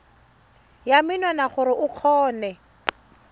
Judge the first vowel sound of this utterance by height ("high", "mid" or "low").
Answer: low